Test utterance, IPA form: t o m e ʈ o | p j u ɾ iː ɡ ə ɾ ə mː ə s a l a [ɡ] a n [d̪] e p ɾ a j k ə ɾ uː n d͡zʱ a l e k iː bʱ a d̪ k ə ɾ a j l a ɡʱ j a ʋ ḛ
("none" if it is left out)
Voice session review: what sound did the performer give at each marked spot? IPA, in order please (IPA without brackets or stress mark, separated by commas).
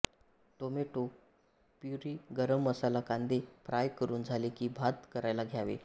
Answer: k, d̪